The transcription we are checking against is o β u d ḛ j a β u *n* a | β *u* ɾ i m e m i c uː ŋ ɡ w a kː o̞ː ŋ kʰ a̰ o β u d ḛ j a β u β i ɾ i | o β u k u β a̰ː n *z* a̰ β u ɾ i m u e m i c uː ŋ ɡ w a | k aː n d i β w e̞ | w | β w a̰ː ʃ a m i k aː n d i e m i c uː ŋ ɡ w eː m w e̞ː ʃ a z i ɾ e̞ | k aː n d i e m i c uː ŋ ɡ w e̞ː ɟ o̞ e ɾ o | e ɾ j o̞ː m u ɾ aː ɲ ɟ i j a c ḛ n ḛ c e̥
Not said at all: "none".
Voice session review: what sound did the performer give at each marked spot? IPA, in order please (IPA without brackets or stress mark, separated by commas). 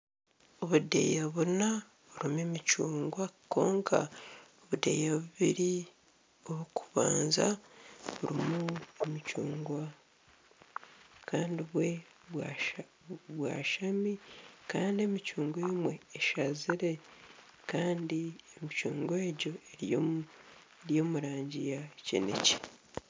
n, u, z